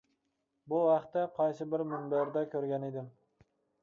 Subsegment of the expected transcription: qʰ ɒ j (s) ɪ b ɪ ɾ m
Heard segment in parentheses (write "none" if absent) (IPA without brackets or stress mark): s